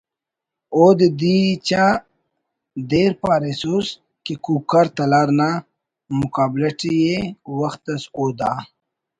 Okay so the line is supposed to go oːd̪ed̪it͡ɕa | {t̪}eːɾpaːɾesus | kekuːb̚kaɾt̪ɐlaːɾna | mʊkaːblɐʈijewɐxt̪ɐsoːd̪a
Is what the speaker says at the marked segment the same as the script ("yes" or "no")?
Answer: no